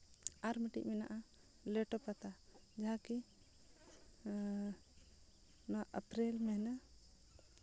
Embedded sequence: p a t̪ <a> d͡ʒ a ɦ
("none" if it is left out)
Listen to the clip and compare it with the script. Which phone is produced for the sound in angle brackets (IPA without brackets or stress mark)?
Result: a